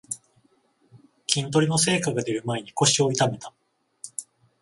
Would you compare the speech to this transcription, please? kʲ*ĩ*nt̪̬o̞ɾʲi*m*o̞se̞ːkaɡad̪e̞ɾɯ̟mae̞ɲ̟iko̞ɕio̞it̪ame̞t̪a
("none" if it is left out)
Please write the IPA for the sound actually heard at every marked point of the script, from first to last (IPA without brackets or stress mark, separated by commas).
ĩ, n